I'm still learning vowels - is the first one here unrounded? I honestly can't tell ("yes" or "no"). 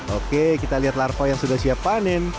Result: no